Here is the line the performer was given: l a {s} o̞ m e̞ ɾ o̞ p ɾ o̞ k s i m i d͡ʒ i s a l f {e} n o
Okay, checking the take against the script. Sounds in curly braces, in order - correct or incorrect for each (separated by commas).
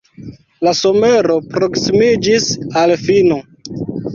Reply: correct, incorrect